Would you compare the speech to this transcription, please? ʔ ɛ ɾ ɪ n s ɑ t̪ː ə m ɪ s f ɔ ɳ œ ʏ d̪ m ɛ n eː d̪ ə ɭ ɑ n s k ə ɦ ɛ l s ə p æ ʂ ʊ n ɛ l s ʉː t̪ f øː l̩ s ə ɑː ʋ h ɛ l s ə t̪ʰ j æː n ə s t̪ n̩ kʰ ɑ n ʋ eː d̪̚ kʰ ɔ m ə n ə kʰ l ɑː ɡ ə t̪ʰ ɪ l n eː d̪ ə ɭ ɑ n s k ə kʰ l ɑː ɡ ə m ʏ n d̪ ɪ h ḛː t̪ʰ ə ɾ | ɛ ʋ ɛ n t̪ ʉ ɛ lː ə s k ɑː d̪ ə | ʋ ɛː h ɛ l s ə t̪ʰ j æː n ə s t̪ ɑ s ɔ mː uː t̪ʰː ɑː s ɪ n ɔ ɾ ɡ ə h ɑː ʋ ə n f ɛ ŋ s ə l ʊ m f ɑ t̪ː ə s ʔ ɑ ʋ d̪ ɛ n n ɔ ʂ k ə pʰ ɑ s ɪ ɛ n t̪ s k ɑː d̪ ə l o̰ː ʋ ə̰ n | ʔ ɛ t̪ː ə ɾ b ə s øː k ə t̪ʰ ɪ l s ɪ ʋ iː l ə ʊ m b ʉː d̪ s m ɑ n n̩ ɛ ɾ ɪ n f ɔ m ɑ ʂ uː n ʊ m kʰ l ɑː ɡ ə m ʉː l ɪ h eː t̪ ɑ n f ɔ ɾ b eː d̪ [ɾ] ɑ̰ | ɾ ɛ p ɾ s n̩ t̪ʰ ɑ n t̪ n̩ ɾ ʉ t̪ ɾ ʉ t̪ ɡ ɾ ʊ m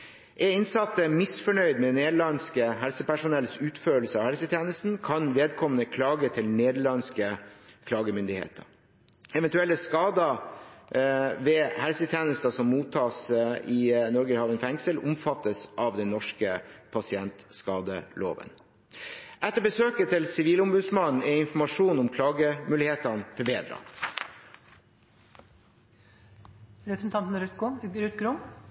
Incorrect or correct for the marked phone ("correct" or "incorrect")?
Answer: correct